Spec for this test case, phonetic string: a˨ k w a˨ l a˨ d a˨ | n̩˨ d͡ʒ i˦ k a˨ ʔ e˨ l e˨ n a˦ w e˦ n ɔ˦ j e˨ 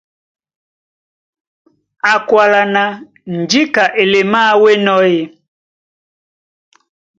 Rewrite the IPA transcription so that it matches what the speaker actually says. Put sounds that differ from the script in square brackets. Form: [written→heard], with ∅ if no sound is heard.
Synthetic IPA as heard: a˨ k w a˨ l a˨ [d→n] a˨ | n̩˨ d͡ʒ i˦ k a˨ ʔ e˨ l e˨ [n→m] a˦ w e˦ n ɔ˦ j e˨

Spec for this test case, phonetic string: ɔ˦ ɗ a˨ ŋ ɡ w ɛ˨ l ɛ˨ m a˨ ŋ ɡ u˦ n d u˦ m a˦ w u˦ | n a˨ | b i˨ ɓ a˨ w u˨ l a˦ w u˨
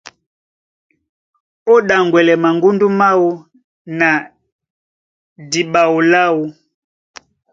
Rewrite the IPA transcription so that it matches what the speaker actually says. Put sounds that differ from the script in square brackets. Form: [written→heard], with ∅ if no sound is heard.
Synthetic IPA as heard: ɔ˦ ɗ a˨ ŋ ɡ w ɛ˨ l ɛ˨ m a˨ ŋ ɡ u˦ n d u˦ m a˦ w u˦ | n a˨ | [b→d] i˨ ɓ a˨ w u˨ l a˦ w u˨

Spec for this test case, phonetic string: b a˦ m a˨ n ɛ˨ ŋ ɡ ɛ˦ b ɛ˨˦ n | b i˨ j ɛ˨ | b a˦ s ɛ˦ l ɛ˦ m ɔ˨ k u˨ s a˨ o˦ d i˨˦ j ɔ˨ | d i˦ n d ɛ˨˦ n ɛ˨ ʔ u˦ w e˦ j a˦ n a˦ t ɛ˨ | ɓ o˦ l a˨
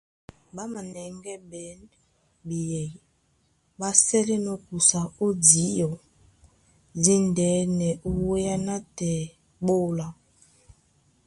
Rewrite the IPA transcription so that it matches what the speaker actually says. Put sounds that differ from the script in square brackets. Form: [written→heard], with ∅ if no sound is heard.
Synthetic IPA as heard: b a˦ m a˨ n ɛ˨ ŋ ɡ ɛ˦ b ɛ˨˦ n | b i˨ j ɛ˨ | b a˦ s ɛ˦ l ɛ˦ [m→n] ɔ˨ k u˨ s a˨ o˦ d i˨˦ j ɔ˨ | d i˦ n d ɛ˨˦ n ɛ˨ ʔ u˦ w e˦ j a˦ n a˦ t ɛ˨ | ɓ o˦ l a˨

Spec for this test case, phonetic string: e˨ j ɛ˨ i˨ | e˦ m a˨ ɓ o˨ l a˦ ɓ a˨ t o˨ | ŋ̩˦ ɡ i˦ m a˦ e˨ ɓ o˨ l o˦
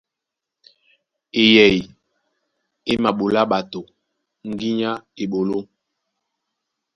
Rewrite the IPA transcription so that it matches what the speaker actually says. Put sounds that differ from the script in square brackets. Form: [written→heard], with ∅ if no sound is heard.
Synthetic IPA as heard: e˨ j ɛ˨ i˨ | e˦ m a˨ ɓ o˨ l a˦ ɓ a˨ t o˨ | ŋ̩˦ ɡ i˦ [m→ɲ] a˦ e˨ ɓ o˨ l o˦

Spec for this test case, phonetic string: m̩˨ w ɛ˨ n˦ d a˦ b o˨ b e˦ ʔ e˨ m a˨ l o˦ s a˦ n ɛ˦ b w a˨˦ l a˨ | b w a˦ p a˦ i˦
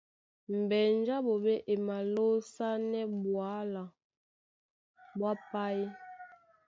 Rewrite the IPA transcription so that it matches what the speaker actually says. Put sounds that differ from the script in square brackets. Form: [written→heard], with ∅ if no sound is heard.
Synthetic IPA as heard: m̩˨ [w→b] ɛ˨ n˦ [d→d͡ʒ] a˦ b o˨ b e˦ ʔ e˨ m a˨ l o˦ s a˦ n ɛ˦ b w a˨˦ l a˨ | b w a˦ p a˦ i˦

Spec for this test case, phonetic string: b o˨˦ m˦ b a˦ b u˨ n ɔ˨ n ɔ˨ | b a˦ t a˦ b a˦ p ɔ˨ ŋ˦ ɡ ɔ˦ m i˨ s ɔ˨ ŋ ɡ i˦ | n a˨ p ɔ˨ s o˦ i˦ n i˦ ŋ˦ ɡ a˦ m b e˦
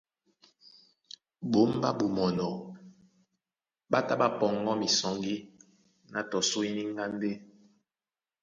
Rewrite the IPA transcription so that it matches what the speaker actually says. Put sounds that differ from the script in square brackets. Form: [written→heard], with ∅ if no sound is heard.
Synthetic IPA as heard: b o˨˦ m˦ b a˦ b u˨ [n→m] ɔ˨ n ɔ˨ | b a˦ t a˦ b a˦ p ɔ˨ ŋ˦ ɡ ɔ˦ m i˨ s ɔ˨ ŋ ɡ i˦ | n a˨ [p→t] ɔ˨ s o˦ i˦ n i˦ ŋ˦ ɡ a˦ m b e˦

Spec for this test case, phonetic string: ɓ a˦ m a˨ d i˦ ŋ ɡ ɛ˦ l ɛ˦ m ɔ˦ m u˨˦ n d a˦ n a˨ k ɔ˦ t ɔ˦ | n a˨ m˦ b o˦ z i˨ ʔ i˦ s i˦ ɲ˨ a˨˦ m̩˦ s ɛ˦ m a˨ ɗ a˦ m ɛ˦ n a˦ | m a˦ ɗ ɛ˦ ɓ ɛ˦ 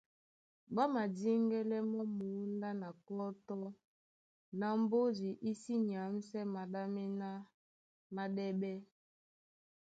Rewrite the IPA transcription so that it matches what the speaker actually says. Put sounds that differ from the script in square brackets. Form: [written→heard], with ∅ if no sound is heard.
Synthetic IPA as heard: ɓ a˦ m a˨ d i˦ ŋ ɡ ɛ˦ l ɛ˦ m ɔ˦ m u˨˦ n d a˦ n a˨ k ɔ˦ t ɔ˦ | n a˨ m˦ b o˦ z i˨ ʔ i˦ s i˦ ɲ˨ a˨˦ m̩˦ s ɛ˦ m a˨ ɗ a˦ m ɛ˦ n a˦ | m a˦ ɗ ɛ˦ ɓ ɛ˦

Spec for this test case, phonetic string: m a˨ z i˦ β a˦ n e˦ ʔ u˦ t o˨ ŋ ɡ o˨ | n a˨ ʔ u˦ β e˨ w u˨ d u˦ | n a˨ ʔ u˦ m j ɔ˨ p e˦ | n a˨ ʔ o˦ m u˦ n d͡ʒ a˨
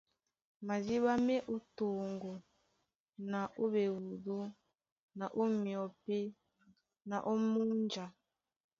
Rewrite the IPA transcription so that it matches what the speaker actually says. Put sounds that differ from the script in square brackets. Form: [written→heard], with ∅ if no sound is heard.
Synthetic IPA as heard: m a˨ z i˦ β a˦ [n→m] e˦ ʔ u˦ t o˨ ŋ ɡ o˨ | n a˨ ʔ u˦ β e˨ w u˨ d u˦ | n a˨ ʔ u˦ m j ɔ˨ p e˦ | n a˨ ʔ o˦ m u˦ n d͡ʒ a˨

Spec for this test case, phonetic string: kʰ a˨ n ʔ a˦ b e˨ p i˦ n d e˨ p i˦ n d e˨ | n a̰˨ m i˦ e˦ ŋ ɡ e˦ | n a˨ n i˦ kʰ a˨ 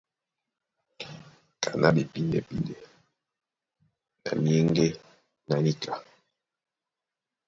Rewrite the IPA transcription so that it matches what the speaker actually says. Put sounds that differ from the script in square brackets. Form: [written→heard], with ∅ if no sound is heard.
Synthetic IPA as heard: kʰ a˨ n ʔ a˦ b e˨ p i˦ n d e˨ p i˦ n d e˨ | n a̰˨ m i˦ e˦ ŋ ɡ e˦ | n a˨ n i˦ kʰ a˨

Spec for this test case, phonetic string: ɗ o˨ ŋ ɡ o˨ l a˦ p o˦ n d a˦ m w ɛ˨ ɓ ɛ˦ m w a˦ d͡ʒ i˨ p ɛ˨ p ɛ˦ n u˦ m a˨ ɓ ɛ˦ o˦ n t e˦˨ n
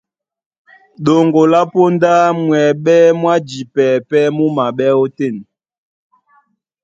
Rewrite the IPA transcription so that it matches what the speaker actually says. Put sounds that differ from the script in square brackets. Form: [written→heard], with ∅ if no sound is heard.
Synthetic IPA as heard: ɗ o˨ ŋ ɡ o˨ l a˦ p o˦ n d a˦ m w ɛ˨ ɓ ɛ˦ m w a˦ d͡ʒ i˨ p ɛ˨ p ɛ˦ [n→m] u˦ m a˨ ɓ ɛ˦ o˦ [n→∅] t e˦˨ n

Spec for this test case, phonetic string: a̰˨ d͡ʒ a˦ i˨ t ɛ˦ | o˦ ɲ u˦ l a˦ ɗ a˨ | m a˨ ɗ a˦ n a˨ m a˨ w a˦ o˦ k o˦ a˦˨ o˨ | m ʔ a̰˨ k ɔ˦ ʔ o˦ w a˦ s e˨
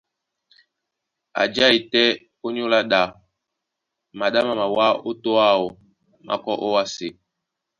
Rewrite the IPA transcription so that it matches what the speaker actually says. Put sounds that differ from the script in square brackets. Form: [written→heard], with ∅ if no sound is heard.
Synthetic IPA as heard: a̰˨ d͡ʒ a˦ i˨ t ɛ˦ | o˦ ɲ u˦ l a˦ ɗ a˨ | m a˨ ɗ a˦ [n→m] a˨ m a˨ w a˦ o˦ [k→t] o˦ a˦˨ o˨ | m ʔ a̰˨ k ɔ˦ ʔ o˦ w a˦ s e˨

